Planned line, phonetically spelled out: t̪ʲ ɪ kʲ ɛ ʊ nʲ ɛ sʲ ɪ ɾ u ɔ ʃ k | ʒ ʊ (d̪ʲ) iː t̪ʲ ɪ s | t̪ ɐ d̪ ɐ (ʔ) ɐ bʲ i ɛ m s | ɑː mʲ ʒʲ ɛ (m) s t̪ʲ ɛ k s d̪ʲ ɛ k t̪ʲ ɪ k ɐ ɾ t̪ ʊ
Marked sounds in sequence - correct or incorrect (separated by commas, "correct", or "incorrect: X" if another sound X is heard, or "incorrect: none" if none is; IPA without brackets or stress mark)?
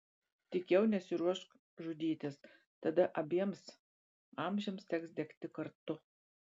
correct, correct, correct